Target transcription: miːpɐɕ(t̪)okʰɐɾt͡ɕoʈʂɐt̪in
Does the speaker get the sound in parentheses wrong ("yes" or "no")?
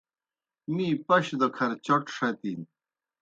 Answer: yes